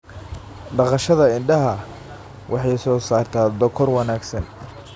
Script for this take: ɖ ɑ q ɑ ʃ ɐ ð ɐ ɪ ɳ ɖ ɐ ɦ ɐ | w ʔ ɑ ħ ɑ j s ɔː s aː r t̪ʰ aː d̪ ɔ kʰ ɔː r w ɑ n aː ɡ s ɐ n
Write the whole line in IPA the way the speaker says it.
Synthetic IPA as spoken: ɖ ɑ q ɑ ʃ ɐ ð ɐ ɪ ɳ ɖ ɐ ɦ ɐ | w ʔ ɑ ħ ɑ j s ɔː s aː r t̪ʰ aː d̪ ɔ kʰ ɔ r w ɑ n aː ɡ s ɐ n